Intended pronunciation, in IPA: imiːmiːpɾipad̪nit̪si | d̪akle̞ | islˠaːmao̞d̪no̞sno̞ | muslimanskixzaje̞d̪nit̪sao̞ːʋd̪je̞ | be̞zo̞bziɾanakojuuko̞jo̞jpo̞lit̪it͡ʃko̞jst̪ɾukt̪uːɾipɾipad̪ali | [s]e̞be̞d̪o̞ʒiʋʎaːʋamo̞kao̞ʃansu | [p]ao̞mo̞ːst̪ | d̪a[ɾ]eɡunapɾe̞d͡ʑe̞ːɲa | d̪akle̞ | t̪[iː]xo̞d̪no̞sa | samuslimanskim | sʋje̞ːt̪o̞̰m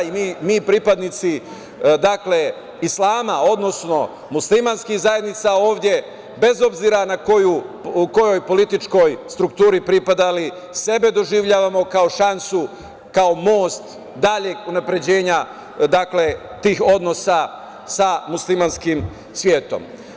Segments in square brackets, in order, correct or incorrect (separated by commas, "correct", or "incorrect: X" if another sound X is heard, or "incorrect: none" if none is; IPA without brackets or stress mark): correct, incorrect: k, incorrect: ʎ, correct